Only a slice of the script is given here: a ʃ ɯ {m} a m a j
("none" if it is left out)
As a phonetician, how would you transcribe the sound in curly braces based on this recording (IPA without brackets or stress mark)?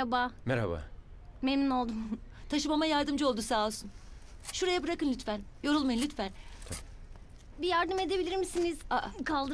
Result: m